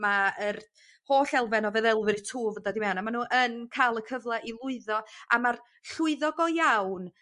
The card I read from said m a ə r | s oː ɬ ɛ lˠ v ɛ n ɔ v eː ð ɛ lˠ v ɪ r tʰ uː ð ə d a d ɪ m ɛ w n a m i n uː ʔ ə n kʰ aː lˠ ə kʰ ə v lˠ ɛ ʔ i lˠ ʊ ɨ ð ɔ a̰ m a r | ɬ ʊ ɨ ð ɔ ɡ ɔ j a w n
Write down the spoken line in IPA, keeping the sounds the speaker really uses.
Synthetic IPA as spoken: m a ə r | h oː ɬ ɛ lˠ v ɛ n ɔ v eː ð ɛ lˠ v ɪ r tʰ uː v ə d a d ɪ m ɛ w n a m a n uː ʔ ə n kʰ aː lˠ ə kʰ ə v lˠ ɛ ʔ i lˠ ʊ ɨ ð ɔ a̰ m a r | ɬ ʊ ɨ ð ɔ ɡ ɔ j a w n